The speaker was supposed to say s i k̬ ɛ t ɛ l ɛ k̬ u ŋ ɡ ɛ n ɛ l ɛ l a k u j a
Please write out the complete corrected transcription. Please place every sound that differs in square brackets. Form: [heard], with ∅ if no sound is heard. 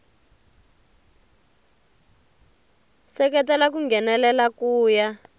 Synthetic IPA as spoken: s [ɛ] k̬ ɛ t ɛ l [a] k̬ u ŋ ɡ ɛ n ɛ l ɛ l a k [uː] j a